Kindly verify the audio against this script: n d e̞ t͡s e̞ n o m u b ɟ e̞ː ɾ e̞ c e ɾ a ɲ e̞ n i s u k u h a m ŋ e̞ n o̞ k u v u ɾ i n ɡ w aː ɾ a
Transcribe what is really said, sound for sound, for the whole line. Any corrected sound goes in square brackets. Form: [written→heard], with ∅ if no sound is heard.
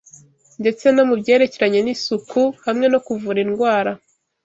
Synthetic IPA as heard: n d e̞ t͡s e̞ n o m u b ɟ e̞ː ɾ e̞ c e ɾ a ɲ e̞ n i s u k u h a m ŋ e̞ n o̞ k u v u ɾ i n ɡ w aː ɾ a